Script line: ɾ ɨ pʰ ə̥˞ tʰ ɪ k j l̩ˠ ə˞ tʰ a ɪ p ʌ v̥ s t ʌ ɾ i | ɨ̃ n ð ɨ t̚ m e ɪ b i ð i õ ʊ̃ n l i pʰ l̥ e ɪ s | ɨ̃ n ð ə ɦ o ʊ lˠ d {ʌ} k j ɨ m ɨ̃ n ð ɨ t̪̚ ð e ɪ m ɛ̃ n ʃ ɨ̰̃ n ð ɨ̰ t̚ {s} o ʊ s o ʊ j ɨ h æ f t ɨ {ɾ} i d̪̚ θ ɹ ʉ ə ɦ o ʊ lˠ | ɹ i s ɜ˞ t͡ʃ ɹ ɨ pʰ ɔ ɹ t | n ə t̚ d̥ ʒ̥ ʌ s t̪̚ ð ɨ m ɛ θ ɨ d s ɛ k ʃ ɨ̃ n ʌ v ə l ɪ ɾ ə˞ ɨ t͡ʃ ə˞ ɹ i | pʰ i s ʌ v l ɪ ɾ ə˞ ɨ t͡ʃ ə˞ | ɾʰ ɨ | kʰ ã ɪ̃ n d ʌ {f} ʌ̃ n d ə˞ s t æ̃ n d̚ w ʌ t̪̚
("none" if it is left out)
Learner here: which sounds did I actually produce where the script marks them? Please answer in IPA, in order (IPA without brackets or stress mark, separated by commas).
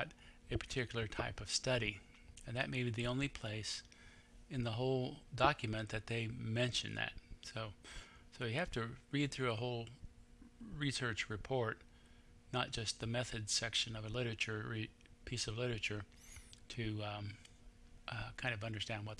ɑ, s, ɹ, v